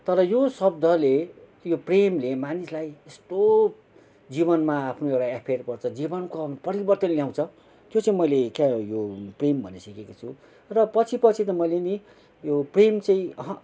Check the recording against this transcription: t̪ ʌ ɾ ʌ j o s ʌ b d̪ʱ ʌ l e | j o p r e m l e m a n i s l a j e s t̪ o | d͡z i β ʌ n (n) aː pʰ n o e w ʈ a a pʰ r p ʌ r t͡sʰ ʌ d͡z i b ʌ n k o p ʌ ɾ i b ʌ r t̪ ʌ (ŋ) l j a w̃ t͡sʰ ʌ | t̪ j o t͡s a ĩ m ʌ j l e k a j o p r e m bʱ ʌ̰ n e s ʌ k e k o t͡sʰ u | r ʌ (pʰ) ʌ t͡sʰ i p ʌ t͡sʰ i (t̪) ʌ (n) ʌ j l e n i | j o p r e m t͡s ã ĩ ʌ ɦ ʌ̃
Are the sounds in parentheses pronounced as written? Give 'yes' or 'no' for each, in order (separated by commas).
no, no, no, yes, no